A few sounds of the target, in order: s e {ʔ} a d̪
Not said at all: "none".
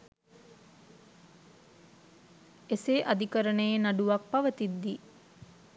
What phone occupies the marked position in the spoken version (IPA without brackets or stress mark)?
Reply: ʔ